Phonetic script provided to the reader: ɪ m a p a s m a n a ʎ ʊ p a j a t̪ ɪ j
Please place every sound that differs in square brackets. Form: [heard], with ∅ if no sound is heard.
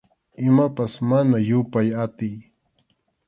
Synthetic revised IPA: ɪ m a p a s m a n a [j] ʊ p a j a t̪ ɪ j